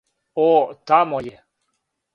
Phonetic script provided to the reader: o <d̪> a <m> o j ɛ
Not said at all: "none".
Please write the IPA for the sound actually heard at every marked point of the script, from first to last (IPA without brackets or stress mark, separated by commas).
t̪, m